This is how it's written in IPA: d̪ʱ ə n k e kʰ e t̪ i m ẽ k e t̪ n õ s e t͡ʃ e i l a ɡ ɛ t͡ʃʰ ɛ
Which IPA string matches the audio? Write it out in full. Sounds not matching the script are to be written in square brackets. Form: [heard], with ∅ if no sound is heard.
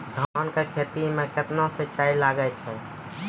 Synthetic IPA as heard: d̪ʱ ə n k e kʰ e t̪ i m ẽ k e t̪ n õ s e t͡ʃ [a] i l a ɡ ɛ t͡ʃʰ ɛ